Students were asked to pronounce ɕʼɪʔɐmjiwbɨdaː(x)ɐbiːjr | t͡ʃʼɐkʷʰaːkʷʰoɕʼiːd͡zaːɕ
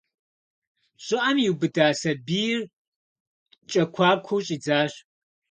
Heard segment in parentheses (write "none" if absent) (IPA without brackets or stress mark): s